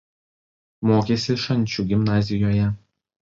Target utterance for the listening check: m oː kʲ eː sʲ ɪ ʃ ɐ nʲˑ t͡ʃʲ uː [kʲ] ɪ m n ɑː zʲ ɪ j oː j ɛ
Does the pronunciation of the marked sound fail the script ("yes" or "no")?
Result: yes